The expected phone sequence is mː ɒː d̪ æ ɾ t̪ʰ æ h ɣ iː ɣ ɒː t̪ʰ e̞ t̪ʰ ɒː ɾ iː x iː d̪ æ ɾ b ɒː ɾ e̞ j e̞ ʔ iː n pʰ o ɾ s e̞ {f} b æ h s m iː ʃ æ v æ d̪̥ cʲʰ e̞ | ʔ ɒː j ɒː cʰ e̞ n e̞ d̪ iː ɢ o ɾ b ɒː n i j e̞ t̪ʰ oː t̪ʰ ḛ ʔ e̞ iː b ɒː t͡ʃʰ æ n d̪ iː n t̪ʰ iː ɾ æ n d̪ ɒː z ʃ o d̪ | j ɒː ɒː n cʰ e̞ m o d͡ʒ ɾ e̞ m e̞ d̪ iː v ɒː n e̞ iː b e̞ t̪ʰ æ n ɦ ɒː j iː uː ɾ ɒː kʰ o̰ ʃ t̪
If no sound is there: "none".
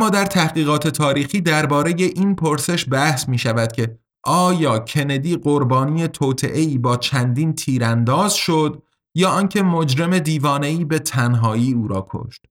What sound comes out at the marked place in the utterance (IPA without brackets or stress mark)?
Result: ʃ